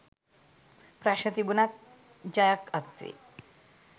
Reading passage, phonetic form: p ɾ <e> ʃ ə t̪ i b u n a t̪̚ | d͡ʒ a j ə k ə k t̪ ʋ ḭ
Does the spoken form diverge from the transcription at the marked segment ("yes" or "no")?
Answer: yes